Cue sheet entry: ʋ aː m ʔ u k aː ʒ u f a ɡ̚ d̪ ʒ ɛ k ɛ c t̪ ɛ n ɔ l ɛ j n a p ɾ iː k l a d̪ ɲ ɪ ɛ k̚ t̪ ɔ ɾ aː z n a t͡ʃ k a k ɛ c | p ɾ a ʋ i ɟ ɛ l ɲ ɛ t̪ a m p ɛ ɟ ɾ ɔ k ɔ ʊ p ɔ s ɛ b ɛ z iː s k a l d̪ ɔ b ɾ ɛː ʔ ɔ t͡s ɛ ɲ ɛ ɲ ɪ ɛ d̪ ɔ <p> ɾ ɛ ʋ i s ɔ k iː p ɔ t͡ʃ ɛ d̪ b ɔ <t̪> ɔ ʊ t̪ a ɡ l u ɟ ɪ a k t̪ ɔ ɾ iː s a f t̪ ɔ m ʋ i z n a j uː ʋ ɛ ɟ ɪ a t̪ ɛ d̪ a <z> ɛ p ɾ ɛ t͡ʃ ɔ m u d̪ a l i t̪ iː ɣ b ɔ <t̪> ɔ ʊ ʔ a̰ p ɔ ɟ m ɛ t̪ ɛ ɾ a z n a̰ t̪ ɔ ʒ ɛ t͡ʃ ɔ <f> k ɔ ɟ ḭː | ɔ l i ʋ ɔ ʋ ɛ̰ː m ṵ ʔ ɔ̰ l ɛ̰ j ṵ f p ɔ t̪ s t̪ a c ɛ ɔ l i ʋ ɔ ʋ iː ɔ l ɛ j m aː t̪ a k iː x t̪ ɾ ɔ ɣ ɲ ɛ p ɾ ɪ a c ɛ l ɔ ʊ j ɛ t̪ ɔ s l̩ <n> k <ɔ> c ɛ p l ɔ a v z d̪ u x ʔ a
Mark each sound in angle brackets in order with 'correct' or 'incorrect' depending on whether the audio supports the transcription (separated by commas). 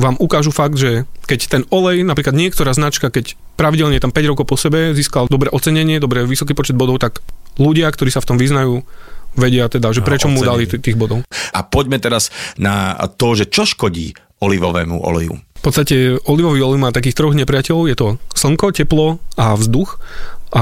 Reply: incorrect, incorrect, incorrect, incorrect, incorrect, incorrect, correct